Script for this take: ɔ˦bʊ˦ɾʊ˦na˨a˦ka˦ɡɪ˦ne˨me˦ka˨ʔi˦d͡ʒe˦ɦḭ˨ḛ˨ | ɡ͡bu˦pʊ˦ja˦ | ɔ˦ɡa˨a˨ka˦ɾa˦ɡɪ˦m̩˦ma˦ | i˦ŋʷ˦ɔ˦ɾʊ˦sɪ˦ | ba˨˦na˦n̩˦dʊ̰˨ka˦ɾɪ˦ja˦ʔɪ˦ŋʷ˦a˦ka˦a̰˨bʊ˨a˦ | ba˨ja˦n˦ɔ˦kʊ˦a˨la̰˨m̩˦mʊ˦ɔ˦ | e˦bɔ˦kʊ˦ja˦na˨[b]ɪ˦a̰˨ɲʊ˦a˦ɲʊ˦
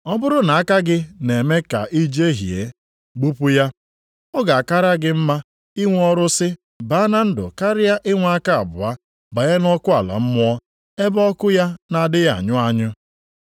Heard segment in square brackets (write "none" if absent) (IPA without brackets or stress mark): d